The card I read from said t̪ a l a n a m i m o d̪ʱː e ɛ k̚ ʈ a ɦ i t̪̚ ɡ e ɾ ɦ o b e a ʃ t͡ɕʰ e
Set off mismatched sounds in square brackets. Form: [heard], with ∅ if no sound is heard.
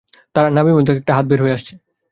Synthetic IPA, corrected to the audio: t̪ a [ɾ] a n a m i m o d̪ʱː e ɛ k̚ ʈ a ɦ [a] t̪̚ [b] e ɾ ɦ o [∅] e a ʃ t͡ɕʰ e